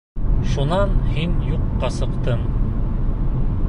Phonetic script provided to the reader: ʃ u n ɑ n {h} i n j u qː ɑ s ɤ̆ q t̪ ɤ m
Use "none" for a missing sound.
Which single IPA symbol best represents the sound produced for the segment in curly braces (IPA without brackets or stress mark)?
h